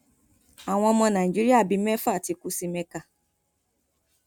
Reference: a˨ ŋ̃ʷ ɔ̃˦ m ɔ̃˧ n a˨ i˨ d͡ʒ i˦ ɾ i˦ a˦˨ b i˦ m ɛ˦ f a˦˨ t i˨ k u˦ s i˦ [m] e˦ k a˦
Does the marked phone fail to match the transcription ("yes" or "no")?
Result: no